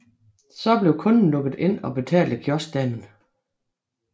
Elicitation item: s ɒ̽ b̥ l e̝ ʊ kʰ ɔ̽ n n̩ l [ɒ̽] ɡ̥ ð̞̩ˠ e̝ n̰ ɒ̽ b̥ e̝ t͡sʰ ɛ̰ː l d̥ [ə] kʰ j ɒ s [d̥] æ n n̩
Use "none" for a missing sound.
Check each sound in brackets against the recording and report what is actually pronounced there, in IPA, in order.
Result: ɔ̽, ə, d̥

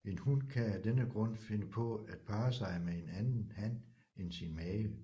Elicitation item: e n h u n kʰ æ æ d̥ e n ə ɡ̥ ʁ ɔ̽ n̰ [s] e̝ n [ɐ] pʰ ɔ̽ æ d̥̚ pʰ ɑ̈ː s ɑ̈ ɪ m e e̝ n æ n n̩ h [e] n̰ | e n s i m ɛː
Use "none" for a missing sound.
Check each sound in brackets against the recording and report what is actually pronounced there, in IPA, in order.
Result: f, ə, æ

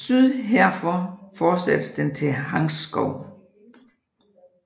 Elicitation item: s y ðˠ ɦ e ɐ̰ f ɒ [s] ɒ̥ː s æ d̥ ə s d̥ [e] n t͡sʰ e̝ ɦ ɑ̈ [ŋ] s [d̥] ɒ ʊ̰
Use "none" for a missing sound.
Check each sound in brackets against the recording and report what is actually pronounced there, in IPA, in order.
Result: f, e, ŋ, ɡ̥

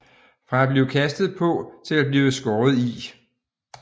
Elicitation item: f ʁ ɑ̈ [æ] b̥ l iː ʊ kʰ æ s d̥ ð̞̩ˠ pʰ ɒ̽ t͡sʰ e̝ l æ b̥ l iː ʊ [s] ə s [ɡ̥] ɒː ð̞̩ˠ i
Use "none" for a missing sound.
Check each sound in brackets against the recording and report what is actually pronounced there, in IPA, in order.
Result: æ, none, ɡ̥

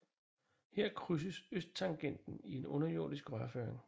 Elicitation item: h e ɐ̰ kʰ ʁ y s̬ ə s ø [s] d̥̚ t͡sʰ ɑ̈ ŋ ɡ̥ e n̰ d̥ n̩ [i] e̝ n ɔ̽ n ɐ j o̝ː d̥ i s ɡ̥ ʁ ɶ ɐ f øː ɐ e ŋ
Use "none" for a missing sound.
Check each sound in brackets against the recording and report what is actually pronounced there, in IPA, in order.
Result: s, i

